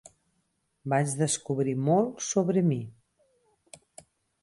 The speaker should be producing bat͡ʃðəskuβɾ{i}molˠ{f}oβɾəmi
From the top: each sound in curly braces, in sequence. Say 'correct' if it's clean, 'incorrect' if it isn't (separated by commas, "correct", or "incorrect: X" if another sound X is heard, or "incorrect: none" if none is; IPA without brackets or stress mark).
correct, incorrect: s